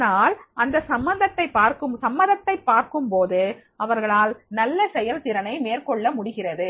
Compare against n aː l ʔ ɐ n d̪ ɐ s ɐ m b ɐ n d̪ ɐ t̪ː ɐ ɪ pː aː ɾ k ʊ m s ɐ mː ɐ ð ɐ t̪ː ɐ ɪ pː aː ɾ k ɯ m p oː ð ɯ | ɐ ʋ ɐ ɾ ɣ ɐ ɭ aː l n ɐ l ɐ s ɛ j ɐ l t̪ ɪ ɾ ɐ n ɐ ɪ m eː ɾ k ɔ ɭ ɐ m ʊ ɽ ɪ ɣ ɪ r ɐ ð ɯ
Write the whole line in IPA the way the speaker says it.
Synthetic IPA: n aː l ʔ ɐ n d̪ ɐ s ɐ m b ɐ n d̪ ɐ t̪ː ɐ ɪ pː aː ɾ k ɯ m s ɐ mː ɐ ð ɐ t̪ː ɐ ɪ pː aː ɾ k ɯ m p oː ð ɯ | ɐ ʋ ɐ ɾ ɣ ɐ ɭ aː l n ɐ lː ɐ s ɛ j ɐ l t̪ ɪ ɾ ɐ n ɐ ɪ m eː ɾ k ɔ ɭː ɐ m ʊ ɽ ɪ ɣ ɪ r ɐ ð ɯ